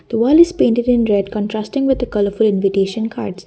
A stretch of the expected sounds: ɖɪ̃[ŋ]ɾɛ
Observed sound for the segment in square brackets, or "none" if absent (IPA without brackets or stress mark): n